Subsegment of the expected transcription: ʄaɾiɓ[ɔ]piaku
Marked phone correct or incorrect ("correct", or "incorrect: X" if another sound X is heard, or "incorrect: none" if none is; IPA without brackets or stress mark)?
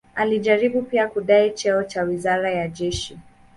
incorrect: u